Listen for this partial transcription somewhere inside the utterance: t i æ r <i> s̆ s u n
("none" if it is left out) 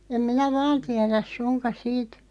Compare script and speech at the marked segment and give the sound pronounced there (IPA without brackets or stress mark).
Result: æ